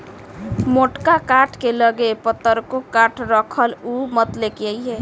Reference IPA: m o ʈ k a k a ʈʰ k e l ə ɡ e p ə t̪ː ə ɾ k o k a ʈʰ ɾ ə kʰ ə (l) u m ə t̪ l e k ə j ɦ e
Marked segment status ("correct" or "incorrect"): correct